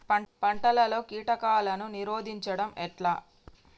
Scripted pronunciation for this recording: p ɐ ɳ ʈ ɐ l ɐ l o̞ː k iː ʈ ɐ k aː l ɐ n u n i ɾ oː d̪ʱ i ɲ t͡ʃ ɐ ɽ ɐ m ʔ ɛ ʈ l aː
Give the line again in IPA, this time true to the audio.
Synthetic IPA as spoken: p ɐ ɳ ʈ ɐ l ɐ l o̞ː k iː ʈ ɐ k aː l ɐ n u n i ɾ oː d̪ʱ i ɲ t͡ʃ ɐ ɽ ɐ m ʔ ɛ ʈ l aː